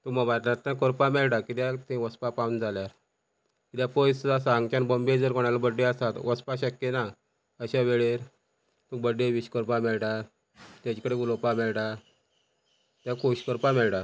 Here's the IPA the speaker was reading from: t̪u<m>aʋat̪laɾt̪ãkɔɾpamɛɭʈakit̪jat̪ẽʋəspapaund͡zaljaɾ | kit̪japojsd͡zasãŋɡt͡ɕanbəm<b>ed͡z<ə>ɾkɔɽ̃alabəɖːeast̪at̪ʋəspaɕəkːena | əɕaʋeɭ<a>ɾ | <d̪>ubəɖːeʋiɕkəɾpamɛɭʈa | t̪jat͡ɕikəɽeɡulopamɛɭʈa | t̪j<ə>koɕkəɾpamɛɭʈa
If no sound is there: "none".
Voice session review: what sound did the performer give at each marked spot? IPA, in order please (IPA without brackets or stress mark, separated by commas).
m, b, ə, e, t̪, a